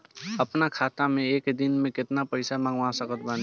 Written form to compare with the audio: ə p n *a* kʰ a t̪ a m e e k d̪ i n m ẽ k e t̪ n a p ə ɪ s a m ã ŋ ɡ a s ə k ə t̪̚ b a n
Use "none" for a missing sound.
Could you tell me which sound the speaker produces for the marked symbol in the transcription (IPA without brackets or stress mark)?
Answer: a